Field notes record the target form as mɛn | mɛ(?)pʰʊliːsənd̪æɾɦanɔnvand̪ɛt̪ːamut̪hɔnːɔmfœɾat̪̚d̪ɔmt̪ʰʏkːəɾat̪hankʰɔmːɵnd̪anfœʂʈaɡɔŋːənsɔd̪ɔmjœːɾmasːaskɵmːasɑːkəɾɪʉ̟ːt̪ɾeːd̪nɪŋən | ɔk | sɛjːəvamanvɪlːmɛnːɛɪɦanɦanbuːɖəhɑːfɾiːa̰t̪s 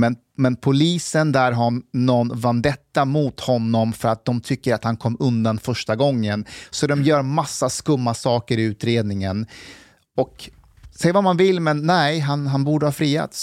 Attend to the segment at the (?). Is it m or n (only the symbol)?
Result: n